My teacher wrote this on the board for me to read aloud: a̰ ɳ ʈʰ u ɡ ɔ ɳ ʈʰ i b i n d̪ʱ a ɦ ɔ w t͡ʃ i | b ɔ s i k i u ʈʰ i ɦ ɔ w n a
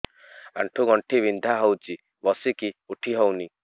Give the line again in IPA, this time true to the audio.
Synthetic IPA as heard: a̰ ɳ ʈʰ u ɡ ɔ ɳ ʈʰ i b i n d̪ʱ a ɦ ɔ w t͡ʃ i | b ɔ s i k i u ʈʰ i ɦ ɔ w n i

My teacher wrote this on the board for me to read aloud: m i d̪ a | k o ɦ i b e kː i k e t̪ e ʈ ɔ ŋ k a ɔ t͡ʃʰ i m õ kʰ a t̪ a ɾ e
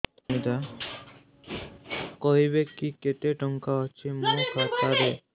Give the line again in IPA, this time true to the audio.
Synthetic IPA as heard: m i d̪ a | k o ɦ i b e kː i k e t̪ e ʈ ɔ ŋ k a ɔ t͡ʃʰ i m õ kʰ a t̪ a ɾ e

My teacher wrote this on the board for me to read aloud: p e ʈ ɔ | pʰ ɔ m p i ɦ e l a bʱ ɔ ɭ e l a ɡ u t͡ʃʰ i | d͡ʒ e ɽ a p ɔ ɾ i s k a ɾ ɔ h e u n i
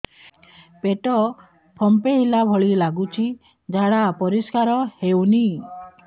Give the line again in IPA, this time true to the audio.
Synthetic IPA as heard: p e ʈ ɔ | pʰ ɔ m p e ɦ i l a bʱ ɔ ɭ i l a ɡ u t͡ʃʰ i | d͡ʒ a ɽ a p ɔ ɾ i s k a ɾ ɔ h e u n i

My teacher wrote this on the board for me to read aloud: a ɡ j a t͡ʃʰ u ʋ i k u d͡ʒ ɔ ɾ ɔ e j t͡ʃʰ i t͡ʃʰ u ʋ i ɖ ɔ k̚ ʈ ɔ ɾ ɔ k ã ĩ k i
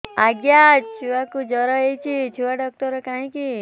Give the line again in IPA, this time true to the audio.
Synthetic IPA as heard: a ɡ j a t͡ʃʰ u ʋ a k u d͡ʒ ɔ ɾ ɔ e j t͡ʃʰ i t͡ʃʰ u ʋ a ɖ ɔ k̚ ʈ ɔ ɾ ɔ k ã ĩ k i

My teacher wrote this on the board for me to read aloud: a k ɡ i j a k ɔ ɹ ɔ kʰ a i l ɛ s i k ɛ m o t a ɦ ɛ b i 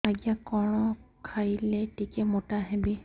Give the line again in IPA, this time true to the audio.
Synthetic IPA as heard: a ɡ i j a k ɔ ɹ ɔ kʰ a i l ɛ t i k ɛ m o t a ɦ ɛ b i

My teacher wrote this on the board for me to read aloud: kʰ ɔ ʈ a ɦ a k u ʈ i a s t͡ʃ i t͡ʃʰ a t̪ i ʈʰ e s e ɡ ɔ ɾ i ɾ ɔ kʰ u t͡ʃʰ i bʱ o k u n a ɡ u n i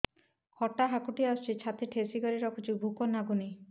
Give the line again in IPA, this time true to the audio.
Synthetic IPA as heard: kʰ ɔ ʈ a ɦ a k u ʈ i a s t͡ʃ i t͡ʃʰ a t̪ i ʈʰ e s i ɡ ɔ ɾ i ɾ ɔ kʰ u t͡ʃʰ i bʱ u k ɔ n a ɡ u n i

